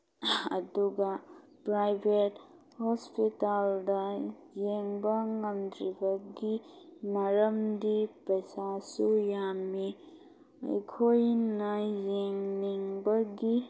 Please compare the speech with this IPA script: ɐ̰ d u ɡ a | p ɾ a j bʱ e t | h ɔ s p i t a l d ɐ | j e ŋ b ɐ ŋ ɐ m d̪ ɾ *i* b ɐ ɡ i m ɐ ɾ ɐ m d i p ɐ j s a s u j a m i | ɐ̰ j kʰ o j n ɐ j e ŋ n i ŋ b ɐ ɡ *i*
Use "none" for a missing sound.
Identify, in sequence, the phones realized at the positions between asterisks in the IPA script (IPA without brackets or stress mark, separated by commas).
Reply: i, i